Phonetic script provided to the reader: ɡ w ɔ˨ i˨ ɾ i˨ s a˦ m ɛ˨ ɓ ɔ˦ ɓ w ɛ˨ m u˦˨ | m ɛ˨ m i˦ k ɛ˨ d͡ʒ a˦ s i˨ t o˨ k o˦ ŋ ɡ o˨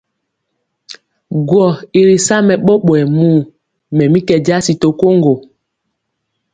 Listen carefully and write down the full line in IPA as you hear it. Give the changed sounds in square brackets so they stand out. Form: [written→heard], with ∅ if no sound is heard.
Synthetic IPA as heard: ɡ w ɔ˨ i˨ ɾ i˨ s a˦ m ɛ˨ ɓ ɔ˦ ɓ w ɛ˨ m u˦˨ | m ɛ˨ m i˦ k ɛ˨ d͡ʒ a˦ s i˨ t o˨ k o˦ ŋ ɡ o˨

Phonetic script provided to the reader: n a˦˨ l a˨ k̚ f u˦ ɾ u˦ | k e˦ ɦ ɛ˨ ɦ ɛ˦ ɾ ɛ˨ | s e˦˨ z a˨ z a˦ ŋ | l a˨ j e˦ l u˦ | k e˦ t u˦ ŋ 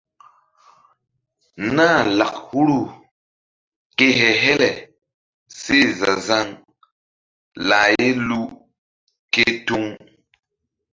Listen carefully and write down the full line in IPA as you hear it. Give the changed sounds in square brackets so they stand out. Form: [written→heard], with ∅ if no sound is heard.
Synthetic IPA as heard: n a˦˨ l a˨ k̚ [f→h] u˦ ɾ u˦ | k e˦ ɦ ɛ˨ ɦ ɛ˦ [ɾ→l] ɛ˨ | s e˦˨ z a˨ z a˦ ŋ | l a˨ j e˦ l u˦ | k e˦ t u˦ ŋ

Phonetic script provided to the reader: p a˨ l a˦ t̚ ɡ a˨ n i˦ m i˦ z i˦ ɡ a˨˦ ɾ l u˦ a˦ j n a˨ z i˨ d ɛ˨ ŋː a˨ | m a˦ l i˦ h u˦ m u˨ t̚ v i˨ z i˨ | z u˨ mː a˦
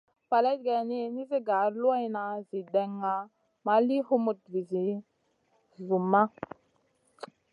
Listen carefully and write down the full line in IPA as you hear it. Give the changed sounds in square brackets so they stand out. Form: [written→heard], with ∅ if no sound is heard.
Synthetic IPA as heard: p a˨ l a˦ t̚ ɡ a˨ n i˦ [m→n] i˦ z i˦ ɡ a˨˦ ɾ l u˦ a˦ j n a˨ z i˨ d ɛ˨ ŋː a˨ | m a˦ l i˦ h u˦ m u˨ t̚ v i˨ z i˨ | z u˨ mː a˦

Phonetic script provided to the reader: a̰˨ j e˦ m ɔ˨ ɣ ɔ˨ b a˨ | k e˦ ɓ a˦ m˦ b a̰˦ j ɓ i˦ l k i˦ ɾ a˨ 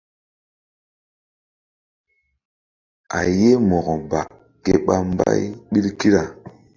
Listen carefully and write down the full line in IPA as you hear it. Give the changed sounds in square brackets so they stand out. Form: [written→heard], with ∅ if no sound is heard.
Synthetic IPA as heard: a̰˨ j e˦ m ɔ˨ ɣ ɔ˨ b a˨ | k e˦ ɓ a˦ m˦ b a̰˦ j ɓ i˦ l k i˦ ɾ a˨

